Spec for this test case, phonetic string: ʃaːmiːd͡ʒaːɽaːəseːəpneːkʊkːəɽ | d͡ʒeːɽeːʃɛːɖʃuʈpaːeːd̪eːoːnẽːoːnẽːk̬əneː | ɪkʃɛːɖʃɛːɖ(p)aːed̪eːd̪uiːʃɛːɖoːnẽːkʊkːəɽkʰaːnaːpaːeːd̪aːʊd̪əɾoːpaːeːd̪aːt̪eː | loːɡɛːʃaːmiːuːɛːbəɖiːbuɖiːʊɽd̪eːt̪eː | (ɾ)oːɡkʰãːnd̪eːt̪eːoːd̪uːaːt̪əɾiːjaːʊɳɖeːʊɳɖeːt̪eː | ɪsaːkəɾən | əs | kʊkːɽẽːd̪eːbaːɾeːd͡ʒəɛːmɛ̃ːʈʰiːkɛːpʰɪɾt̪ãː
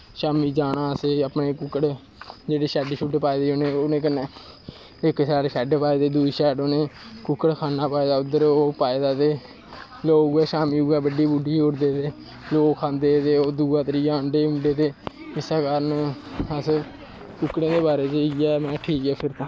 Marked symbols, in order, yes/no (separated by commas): yes, no